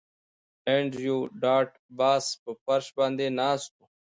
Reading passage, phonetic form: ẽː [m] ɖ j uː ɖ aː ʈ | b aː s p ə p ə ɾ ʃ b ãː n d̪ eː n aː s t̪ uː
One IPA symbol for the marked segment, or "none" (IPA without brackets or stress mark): ɳ